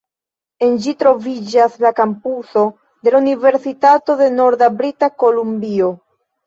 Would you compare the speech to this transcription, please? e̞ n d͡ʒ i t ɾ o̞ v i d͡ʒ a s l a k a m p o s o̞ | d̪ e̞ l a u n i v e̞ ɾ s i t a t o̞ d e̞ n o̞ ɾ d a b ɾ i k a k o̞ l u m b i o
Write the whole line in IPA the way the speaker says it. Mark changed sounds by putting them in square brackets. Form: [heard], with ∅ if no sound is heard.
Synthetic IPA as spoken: e̞ n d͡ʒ i t ɾ o̞ v i d͡ʒ a s l a k a m p [u] s o̞ | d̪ e̞ l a u n i v e̞ ɾ s i t a t o̞ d e̞ n o̞ ɾ d a b ɾ i [t] a k o̞ l u m b i o